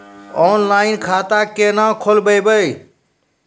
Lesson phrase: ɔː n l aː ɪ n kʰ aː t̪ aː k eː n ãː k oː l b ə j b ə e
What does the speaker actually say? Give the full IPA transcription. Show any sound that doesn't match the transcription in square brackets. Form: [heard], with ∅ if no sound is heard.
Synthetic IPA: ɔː n l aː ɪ n kʰ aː t̪ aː k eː n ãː [kʰ] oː l b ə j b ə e